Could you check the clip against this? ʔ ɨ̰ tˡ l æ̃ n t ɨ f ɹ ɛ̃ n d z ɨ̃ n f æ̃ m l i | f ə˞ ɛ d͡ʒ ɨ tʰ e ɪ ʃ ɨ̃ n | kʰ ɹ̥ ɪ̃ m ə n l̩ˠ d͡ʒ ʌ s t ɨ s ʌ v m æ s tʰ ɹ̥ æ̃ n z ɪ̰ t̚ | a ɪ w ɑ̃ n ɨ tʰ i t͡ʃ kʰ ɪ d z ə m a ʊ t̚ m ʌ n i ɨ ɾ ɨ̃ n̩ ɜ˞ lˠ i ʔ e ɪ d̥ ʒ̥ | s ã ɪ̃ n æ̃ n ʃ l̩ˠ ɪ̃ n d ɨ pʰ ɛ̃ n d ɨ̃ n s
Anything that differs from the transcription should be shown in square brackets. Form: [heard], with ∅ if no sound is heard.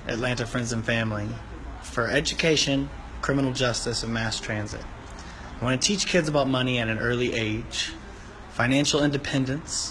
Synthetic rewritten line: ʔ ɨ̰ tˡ l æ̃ n t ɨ f ɹ ɛ̃ n d z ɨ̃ n f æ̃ m l i | f ə˞ ɛ d͡ʒ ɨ [kʰ] e ɪ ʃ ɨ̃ n | kʰ ɹ̥ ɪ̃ m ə n l̩ˠ d͡ʒ ʌ s t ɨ s ʌ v m æ s tʰ ɹ̥ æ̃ n z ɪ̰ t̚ | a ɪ w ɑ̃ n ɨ tʰ i t͡ʃ kʰ ɪ d z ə [b] a ʊ t̚ m ʌ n i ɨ ɾ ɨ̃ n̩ ɜ˞ lˠ i ʔ e ɪ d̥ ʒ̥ | [f] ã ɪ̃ n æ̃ n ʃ l̩ˠ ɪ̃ n d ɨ pʰ ɛ̃ n d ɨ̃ n s